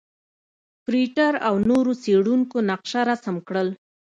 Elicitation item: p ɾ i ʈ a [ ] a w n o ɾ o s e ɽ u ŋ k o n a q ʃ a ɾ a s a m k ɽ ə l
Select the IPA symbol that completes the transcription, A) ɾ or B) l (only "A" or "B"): A